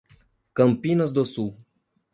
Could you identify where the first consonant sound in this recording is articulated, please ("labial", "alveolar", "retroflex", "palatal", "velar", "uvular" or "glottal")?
velar